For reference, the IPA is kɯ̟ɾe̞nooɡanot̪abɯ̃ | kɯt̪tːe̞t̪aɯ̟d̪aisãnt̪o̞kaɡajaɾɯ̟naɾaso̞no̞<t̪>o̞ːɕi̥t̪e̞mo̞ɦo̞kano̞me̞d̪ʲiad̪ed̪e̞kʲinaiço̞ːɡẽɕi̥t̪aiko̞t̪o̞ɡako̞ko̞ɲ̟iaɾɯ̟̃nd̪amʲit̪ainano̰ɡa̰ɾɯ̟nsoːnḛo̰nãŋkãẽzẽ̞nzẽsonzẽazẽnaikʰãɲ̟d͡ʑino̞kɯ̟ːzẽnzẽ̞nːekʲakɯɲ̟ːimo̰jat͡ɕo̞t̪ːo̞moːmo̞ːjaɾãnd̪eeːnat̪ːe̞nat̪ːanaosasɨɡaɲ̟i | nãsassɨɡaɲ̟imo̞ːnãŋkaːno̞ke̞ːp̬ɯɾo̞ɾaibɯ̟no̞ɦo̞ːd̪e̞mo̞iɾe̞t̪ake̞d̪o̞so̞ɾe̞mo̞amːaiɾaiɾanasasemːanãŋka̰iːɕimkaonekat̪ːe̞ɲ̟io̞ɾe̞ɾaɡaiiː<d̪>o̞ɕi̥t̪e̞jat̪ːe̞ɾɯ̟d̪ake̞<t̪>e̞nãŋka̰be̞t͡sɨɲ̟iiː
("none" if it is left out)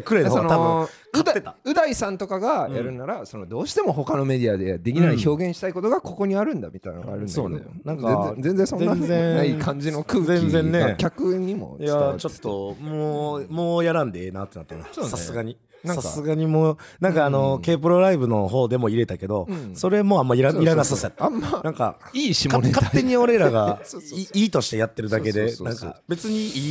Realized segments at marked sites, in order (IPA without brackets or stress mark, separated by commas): d̪, t̪, d̪